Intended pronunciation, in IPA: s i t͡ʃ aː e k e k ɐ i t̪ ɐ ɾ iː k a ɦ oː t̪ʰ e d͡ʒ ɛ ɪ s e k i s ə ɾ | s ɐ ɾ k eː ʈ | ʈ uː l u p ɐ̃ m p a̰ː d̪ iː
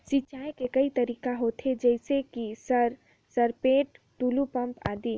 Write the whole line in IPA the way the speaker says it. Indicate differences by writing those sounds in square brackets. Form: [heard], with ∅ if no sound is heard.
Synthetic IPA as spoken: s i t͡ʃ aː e k e k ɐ i t̪ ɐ ɾ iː k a ɦ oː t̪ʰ e d͡ʒ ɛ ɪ s e k i s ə ɾ | s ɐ ɾ [p] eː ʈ | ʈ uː l u p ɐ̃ m p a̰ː d̪ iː